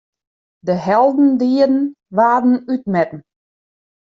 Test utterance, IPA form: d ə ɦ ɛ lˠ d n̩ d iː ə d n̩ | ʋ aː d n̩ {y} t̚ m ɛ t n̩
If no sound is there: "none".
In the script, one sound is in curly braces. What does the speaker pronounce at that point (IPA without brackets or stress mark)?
y